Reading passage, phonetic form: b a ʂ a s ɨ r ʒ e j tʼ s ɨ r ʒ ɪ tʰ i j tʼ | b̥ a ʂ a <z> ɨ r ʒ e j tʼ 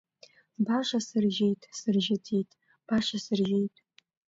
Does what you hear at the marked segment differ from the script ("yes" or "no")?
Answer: yes